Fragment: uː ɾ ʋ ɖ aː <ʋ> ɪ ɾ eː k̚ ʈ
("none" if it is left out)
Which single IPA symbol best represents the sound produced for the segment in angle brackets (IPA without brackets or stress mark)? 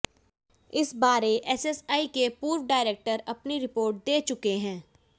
none